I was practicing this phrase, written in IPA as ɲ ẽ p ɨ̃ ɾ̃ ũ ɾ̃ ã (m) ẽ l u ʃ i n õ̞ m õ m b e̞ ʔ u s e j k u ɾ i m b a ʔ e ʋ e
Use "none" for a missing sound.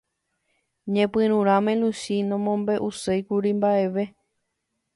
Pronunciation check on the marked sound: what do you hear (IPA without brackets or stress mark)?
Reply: m